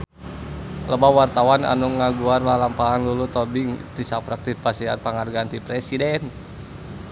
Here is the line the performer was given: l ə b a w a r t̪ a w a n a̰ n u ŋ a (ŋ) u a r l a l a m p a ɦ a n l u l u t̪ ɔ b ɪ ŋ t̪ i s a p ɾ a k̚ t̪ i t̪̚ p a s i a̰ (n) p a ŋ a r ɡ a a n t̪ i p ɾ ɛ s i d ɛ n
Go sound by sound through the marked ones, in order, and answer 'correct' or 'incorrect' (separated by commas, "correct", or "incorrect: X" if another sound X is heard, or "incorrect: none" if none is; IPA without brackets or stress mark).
incorrect: ɡ, correct